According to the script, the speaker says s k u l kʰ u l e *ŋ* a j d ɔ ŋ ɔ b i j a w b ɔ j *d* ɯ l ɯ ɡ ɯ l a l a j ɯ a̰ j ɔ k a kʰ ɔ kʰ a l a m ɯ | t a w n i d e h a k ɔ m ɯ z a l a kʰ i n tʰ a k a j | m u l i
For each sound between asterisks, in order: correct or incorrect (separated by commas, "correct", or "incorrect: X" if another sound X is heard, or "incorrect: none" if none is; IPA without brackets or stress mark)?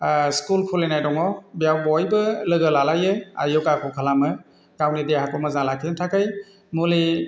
incorrect: n, incorrect: b